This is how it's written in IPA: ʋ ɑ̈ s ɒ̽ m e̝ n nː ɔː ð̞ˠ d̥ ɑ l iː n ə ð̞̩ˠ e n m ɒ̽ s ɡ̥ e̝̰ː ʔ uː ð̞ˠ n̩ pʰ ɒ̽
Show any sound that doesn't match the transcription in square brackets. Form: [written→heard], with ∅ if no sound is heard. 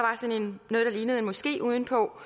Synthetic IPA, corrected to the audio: ʋ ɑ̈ s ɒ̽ [m→n] e̝ n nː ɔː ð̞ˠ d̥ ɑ l iː n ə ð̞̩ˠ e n m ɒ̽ s ɡ̥ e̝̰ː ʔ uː ð̞ˠ n̩ pʰ ɒ̽

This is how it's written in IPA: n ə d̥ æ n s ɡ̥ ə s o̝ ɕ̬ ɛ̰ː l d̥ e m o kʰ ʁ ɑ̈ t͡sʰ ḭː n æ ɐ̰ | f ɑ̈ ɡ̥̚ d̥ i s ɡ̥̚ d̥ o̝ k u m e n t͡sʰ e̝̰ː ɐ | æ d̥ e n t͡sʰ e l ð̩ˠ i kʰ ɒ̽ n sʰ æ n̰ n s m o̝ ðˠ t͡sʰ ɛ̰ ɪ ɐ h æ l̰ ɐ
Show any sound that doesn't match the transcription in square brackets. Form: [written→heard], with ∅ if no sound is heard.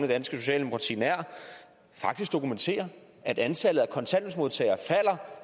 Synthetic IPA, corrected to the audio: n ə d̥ æ n s ɡ̥ ə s o̝ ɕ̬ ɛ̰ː l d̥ e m o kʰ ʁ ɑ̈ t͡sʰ ḭː n æ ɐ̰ | f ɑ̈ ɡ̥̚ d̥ i s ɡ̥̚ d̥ o̝ k u m e n t͡sʰ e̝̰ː ɐ | æ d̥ [e→æ] n t͡sʰ [e→æ] l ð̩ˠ [i→æ] kʰ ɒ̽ n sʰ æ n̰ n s m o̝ ðˠ t͡sʰ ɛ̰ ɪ ɐ [h→f] æ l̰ ɐ

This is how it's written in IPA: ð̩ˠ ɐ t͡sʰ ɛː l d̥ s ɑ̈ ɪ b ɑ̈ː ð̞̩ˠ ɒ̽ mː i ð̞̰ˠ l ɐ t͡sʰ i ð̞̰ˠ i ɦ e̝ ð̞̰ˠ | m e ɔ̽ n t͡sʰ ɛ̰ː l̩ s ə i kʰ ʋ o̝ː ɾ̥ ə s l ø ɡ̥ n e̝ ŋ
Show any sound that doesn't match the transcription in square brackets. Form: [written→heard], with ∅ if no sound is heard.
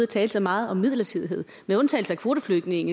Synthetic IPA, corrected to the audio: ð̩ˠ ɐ t͡sʰ ɛː l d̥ s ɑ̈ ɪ [b→m] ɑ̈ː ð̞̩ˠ ɒ̽ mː i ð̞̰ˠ l ɐ t͡sʰ i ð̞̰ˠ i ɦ e̝ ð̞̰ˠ | m e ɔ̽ n t͡sʰ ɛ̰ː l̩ s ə [i→æ] kʰ ʋ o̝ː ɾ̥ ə [s→f] l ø ɡ̥ n e̝ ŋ

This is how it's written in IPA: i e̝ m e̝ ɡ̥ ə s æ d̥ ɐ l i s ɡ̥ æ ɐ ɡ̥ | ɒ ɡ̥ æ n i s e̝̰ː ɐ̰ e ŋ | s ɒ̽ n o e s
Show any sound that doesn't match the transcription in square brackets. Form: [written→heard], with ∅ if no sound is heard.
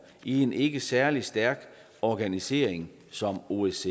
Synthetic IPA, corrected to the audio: i e̝ [m→n] e̝ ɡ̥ ə s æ [d̥→∅] ɐ l i s [ɡ̥→d̥] æ ɐ ɡ̥ | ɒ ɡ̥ æ n i s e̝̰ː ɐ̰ e ŋ | s ɒ̽ [n→m] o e s

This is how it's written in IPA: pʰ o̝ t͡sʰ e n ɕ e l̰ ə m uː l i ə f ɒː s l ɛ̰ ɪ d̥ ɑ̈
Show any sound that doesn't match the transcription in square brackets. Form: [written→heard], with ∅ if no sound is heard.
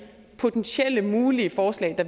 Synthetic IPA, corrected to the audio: pʰ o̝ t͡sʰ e n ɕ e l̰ ə m uː l i ə f ɒː s l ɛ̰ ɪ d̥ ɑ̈

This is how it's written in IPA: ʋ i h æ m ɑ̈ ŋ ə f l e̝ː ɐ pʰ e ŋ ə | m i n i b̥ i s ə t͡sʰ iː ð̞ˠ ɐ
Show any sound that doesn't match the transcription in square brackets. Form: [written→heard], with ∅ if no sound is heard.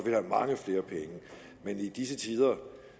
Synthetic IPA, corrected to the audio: ʋ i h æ m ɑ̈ ŋ ə f l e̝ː ɐ pʰ e ŋ ə | m [i→e] n i [b̥→d̥] i s ə t͡sʰ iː ð̞ˠ ɐ

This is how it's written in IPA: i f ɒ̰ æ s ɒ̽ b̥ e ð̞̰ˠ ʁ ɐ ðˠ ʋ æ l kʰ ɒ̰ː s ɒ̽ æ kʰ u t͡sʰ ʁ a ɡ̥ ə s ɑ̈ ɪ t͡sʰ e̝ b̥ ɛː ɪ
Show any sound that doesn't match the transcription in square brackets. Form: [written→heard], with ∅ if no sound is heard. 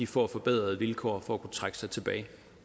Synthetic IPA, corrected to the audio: i f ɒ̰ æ [s→f] ɒ̽ b̥ e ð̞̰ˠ ʁ ɐ ðˠ ʋ [æ→i] l kʰ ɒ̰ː [s→f] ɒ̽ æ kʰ u t͡sʰ ʁ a ɡ̥ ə s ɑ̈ ɪ t͡sʰ e̝ b̥ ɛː ɪ

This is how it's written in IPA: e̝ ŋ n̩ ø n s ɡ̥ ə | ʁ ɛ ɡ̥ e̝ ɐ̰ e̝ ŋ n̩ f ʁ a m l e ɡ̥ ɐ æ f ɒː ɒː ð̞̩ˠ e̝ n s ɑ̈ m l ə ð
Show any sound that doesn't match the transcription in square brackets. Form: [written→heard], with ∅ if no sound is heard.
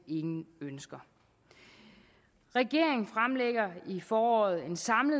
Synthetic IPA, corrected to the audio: e̝ ŋ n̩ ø n s ɡ̥ [ə→ɐ] | ʁ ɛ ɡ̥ e̝ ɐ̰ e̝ ŋ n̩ f ʁ a m l e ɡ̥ ɐ [æ→i] f ɒː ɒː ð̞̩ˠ e̝ n s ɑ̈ m l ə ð

